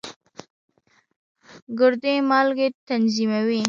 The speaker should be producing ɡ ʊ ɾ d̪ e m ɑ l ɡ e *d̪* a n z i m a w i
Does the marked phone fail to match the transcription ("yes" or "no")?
yes